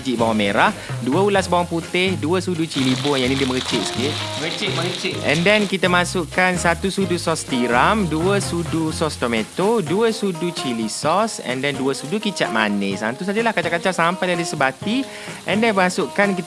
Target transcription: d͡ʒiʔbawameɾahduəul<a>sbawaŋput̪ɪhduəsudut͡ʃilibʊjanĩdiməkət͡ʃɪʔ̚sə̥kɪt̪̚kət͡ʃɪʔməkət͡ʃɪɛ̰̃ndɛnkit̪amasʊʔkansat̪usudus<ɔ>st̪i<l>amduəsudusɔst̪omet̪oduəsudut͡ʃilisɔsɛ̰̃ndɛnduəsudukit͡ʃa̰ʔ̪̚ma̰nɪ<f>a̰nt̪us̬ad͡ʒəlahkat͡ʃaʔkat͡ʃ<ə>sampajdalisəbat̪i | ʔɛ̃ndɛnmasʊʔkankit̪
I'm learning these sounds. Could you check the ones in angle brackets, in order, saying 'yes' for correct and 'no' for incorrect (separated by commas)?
yes, yes, no, no, no